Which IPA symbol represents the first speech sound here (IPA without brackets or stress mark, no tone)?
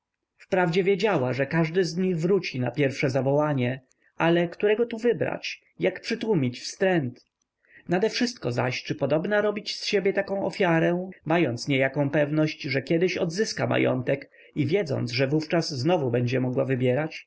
f